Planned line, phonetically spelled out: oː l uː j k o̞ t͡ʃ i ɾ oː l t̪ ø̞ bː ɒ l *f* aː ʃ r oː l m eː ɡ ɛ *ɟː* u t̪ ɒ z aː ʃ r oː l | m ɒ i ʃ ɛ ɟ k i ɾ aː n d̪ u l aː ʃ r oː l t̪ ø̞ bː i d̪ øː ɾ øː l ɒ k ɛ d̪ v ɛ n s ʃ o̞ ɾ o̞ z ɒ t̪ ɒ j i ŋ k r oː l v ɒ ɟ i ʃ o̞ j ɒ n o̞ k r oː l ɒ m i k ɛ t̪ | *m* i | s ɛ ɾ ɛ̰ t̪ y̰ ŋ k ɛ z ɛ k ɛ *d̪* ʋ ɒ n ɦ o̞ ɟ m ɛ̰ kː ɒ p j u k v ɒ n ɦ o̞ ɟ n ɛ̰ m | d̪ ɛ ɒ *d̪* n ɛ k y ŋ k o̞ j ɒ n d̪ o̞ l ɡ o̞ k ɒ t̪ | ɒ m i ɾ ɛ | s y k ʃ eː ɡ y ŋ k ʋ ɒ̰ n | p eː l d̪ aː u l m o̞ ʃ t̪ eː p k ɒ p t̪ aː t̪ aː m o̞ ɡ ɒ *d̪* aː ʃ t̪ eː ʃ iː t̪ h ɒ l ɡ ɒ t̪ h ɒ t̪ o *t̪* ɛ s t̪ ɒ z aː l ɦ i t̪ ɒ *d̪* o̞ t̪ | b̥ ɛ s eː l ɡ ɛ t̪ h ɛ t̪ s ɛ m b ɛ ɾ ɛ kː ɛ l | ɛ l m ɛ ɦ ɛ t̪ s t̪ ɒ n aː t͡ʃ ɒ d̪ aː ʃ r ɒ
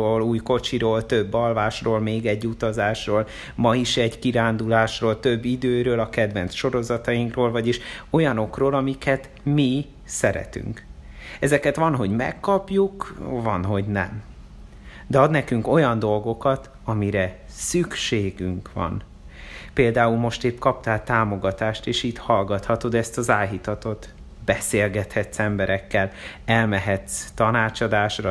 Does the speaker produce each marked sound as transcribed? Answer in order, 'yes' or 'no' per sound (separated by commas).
no, yes, yes, no, yes, no, no, no